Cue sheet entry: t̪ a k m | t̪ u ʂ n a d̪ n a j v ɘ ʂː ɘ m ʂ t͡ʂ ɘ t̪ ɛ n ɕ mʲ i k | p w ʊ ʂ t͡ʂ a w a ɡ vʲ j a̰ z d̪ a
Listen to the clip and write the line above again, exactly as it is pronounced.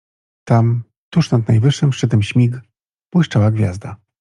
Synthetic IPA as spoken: t̪ a m | t̪ u ʂ n a d̪ n a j v ɘ ʂː ɘ m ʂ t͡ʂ ɘ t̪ ɛ m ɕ mʲ i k | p w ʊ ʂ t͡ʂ a w a ɡ vʲ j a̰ z d̪ a

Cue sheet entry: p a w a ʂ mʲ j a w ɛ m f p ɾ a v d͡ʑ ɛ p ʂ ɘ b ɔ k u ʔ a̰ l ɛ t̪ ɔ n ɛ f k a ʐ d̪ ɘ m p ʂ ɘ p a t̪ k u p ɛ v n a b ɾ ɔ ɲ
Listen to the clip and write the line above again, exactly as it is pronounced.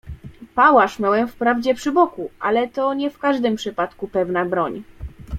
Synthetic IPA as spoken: p a w a ʂ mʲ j a w ɛ m f p ɾ a v d͡ʑ ɛ p ʂ ɘ b ɔ k u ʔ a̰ l ɛ t̪ ɔ ɲ ɛ f k a ʐ d̪ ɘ m p ʂ ɘ p a t̪ k u p ɛ v n a b ɾ ɔ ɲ

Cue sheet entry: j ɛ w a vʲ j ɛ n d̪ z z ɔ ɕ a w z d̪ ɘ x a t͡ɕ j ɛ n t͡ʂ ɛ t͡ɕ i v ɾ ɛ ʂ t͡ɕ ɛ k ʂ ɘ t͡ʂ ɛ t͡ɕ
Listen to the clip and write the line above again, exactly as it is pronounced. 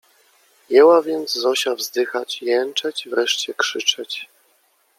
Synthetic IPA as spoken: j ɛ w a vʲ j ɛ n d̪ z z ɔ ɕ a v z d̪ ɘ x a t͡ɕ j ɛ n t͡ʂ ɛ t͡ɕ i v ɾ ɛ ʂ t͡ɕ ɛ k ʂ ɘ t͡ʂ ɛ t͡ɕ

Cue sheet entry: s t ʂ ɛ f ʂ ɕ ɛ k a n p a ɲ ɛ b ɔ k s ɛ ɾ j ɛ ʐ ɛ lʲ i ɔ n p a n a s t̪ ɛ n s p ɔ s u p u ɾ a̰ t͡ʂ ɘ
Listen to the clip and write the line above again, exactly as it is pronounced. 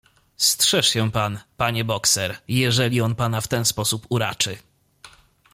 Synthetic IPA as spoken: s t ʂ ɛ ʂ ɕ ɛ p a n p a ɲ ɛ b ɔ k s ɛ ɾ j ɛ ʐ ɛ lʲ i ɔ n p a n a f t̪ ɛ n s p ɔ s u p u ɾ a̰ t͡ʂ ɘ

